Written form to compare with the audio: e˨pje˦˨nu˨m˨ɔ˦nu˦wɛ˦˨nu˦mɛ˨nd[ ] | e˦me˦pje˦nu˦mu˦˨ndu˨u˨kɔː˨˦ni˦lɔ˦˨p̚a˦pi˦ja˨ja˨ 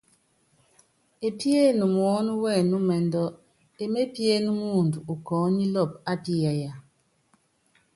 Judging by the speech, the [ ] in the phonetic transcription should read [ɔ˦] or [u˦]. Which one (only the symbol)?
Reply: ɔ˦